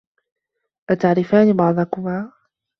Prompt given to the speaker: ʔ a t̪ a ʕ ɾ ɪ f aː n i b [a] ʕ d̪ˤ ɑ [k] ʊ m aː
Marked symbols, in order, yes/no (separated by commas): no, yes